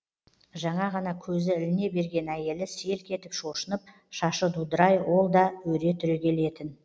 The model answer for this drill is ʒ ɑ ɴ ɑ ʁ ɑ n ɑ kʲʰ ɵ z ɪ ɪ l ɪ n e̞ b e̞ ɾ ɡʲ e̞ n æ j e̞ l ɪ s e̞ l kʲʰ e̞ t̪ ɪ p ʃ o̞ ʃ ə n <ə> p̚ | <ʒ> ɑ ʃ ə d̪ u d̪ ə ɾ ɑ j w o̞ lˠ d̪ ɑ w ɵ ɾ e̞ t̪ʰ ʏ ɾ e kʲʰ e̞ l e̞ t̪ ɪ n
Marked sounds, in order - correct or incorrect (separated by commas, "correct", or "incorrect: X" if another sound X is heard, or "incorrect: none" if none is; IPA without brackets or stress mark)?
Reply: correct, incorrect: ʃ